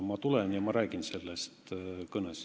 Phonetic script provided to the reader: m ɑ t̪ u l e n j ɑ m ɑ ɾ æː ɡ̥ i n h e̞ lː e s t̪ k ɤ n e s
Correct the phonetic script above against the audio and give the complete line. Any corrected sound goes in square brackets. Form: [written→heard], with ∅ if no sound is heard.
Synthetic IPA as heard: m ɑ t̪ u l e n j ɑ m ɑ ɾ æː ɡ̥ i n [h→s] e̞ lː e s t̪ k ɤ n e s